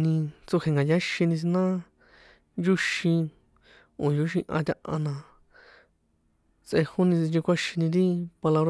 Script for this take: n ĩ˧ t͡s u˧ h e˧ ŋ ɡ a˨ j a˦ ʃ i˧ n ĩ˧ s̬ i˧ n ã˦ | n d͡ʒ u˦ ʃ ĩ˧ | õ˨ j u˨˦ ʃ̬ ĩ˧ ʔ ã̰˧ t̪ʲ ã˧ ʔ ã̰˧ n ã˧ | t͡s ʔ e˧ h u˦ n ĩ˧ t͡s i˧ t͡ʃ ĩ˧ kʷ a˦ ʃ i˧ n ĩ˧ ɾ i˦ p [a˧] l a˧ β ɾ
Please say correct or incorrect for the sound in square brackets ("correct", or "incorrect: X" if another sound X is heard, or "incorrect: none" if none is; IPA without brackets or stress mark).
correct